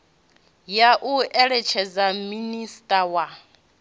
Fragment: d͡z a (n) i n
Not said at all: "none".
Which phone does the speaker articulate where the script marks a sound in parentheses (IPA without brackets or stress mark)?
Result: m